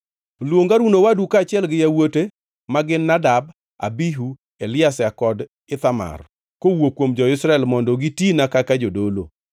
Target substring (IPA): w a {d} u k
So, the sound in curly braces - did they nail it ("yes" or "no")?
yes